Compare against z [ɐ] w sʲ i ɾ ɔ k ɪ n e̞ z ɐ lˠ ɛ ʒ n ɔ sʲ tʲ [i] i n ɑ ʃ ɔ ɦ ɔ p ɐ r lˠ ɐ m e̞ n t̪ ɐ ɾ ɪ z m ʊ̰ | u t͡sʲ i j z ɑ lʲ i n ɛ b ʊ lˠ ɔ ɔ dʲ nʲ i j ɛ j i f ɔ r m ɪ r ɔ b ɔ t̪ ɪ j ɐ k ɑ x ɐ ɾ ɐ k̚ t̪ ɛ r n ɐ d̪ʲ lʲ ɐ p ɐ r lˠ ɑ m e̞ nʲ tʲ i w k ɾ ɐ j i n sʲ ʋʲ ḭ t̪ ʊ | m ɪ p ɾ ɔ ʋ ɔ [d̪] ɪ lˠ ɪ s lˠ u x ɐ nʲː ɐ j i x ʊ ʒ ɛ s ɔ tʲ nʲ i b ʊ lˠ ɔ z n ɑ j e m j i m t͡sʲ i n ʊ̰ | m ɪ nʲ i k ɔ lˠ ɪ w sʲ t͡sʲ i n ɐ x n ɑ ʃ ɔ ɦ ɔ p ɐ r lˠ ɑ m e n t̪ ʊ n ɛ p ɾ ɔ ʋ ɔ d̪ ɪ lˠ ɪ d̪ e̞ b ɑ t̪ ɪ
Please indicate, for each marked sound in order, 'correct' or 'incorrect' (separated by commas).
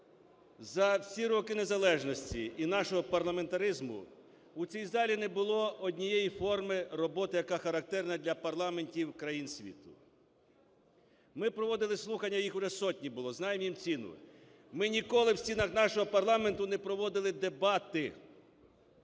correct, correct, correct